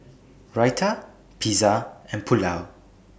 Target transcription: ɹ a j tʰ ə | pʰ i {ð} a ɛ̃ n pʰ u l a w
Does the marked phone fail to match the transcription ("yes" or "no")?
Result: yes